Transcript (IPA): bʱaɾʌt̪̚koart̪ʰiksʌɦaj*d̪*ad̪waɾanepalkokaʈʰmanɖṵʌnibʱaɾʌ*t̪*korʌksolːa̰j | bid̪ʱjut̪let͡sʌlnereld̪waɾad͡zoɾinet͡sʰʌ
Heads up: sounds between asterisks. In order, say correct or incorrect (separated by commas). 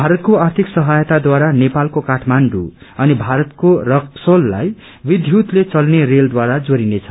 incorrect, correct